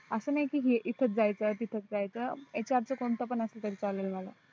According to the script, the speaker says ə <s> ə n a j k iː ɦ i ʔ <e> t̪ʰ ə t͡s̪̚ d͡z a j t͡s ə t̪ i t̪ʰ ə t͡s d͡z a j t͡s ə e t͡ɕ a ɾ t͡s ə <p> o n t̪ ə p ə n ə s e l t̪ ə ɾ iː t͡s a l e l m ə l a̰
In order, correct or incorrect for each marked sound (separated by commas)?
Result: correct, incorrect, incorrect